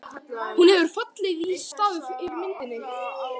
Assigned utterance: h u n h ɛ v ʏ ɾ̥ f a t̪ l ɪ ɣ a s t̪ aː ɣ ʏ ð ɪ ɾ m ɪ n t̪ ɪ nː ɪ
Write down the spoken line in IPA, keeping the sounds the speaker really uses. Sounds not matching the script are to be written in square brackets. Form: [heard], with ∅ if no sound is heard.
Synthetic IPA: h u n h ɛ v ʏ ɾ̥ f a t̪ l ɪ ɣ [i] s t̪ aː [ð] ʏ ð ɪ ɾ m ɪ n t̪ ɪ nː ɪ

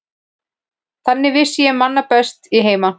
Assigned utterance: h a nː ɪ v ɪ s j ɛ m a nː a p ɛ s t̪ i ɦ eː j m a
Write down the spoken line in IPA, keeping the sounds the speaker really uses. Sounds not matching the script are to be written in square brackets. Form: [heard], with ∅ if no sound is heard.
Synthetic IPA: [θ] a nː ɪ v ɪ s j ɛ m a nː a p ɛ s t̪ i ɦ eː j m a

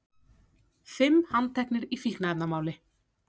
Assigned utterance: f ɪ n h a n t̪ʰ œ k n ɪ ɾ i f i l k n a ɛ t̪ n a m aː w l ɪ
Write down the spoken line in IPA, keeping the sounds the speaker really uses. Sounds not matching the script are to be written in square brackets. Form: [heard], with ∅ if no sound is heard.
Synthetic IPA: f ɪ [m] h a n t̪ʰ [ɛ] k n ɪ ɾ i f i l k n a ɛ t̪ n a m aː w l ɪ

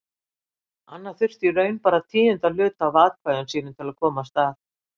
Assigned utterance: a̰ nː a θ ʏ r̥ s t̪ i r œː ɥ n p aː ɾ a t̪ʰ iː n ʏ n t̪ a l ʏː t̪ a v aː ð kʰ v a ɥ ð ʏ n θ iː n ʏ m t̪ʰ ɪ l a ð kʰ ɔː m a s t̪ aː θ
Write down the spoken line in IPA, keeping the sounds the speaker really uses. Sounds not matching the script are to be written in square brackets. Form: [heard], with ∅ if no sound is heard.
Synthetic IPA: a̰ nː a θ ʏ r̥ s t̪ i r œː ɥ n p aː ɾ a t̪ʰ iː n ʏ n t̪ a l ʏː t̪ a v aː ð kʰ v a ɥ ð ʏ n [s] iː n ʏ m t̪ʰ ɪ l a ð kʰ ɔː m a s t̪ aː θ

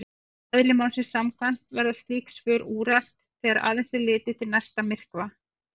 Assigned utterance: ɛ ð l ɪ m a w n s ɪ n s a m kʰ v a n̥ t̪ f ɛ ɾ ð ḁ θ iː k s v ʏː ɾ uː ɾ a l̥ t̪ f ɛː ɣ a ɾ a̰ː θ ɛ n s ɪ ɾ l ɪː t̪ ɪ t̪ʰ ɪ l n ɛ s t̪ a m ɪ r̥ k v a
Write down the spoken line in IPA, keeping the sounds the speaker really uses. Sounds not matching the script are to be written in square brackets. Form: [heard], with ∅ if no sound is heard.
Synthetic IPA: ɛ ð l ɪ m a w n s ɪ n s a m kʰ v a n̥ t̪ [v] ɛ ɾ ð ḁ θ iː k s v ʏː ɾ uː ɾ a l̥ t̪ [θ] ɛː ɣ a ɾ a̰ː [ð] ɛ n s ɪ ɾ l ɪː t̪ ɪ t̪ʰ ɪ l n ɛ s t̪ a m ɪ r̥ k v a

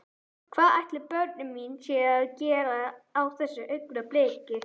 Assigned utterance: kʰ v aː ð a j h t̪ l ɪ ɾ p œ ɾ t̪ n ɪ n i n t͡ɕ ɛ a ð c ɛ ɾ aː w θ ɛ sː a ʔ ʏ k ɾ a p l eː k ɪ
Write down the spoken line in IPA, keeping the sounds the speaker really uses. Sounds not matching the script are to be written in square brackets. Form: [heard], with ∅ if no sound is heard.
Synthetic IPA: kʰ v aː ð a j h t̪ l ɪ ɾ p œ ɾ t̪ n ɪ [m] i n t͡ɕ ɛ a ð c [ɛː] ɾ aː w θ ɛ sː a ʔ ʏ k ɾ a p l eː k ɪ

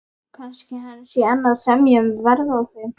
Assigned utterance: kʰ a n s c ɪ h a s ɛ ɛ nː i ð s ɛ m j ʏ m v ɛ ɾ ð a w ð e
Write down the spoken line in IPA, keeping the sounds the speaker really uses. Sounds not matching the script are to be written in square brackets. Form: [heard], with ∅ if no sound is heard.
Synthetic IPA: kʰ a n s c ɪ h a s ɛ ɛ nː [a] ð s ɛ m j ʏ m v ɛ ɾ ð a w [θ] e

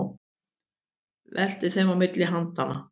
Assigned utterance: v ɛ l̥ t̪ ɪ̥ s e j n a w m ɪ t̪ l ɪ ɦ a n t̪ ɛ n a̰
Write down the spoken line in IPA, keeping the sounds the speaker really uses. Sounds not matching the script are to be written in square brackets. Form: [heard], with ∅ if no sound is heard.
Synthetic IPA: v ɛ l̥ t̪ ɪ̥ [θ] e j [m] a w m ɪ t̪ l ɪ ɦ a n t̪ [a] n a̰

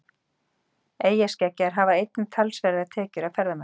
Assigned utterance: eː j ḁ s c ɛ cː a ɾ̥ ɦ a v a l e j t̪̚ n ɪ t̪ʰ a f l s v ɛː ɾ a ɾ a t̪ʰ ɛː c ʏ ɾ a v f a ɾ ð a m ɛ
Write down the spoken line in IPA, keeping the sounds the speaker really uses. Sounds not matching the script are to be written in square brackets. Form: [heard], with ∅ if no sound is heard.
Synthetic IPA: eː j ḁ s c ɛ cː a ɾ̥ ɦ a v a [∅] e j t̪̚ n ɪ t̪ʰ a [∅] l s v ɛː ɾ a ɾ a t̪ʰ ɛː c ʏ ɾ a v f [ɛ] ɾ ð a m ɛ

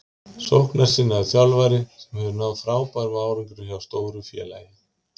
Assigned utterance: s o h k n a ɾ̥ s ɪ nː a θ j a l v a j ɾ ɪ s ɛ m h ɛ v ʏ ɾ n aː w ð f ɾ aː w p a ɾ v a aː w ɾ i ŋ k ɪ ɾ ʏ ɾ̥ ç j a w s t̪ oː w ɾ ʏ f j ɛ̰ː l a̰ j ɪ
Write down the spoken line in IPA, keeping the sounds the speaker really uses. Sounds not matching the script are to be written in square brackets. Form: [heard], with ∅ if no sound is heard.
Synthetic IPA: s o h k n a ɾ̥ s ɪ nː a θ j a l v a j ɾ ɪ s ɛ m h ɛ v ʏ ɾ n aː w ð f ɾ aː w p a ɾ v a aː w ɾ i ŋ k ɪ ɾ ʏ [∅] ç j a w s t̪ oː w ɾ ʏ f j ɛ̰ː l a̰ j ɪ

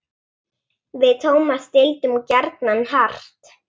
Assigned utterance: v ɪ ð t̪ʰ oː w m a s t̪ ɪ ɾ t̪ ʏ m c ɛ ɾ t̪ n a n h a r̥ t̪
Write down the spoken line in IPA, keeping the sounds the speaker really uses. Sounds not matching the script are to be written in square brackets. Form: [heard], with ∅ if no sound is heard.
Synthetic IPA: v ɪ ð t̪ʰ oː w m a s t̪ ɪ [l] t̪ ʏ m c ɛ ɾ t̪ n a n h a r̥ t̪

